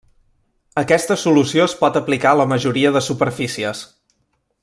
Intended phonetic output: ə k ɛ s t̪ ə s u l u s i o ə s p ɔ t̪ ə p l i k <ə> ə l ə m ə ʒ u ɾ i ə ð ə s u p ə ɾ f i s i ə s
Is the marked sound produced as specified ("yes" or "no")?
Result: no